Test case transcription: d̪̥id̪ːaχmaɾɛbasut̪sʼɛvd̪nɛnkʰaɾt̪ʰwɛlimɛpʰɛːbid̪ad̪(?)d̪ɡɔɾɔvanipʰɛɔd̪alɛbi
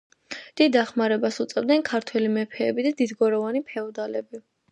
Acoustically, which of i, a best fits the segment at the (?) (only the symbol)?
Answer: i